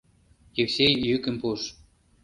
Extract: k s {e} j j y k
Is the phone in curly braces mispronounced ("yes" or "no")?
no